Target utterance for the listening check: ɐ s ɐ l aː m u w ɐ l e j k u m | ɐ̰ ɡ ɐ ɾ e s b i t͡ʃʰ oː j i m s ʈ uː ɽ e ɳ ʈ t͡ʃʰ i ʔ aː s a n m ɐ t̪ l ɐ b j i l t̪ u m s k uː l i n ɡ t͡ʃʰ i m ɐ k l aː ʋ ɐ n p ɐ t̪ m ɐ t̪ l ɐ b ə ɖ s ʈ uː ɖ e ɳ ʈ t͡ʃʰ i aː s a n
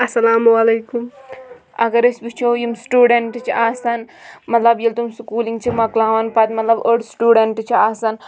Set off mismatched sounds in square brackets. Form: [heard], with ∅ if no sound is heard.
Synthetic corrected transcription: ɐ s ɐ l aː m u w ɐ l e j k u m | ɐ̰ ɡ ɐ ɾ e s b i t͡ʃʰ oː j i m s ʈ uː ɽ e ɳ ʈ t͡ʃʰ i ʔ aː s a n m ɐ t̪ l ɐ b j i l t̪ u m s k uː l i [ŋ] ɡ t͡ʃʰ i m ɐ k l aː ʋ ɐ n p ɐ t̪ m ɐ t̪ l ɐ b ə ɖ s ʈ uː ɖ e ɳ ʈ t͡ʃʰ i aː s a n